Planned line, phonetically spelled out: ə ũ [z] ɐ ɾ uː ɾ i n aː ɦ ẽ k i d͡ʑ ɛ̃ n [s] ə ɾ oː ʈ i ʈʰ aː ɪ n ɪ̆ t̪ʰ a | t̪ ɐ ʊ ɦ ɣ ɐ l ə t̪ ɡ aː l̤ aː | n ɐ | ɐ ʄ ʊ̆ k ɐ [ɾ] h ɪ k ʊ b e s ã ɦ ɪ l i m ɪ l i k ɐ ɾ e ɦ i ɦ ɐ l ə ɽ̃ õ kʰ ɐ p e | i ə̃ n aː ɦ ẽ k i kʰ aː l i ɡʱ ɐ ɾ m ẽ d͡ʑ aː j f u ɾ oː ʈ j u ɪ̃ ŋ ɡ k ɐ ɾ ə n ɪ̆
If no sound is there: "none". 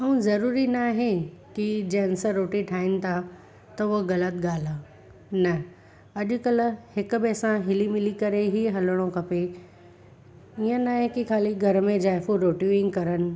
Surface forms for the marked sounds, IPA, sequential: z, s, l

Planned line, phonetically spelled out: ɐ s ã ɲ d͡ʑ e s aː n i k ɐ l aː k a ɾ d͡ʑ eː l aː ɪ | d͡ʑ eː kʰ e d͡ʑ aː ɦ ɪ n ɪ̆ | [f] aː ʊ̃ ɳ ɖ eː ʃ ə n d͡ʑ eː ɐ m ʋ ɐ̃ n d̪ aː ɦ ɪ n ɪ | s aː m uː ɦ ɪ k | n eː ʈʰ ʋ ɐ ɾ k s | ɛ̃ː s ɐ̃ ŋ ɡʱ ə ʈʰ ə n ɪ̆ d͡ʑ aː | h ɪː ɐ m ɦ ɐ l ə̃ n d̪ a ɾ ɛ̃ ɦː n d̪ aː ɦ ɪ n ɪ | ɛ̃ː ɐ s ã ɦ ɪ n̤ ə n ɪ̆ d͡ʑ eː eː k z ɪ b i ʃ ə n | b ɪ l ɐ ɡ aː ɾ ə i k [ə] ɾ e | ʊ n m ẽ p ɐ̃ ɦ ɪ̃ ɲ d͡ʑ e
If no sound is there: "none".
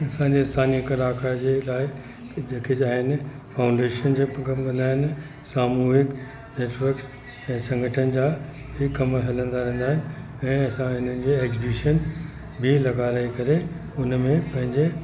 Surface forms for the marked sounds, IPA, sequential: f, ɐ

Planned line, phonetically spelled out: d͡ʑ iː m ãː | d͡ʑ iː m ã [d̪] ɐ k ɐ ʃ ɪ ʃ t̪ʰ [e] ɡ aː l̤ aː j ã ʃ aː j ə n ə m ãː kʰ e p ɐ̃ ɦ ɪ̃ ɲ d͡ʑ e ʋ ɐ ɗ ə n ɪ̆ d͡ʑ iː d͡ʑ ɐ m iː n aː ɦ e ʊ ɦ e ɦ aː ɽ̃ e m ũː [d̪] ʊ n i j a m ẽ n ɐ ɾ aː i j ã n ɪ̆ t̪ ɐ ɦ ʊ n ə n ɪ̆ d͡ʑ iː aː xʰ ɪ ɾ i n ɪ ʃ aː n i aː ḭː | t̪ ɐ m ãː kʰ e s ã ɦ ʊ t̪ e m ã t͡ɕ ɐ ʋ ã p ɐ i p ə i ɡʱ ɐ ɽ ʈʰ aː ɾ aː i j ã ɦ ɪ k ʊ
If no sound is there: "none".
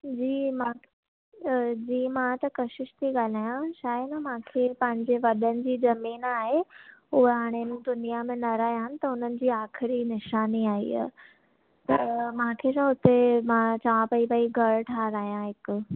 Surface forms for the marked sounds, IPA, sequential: t̪, i, d̪

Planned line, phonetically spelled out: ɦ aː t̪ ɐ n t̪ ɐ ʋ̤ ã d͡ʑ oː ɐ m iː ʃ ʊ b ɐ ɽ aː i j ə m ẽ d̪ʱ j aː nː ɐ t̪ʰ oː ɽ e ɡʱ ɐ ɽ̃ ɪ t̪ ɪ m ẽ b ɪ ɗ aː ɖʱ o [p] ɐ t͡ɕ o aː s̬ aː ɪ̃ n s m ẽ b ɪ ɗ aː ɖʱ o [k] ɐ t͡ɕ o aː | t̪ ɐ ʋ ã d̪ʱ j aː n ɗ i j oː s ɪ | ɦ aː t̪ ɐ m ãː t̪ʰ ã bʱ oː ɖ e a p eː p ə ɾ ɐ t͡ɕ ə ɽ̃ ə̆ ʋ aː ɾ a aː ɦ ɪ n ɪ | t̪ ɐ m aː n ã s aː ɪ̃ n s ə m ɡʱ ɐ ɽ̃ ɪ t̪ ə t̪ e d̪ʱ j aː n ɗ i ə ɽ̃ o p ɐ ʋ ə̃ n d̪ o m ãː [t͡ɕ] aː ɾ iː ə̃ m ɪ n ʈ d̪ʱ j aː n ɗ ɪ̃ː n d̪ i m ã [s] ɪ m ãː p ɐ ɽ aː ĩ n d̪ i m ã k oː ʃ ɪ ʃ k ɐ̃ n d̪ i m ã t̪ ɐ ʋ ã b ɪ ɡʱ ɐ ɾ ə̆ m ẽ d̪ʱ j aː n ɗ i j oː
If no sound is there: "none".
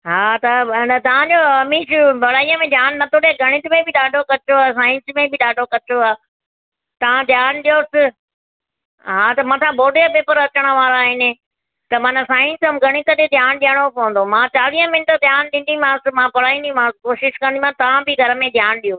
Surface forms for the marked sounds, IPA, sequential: k, k, t͡ɕ, s

